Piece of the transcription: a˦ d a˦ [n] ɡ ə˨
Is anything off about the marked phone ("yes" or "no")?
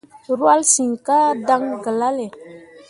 yes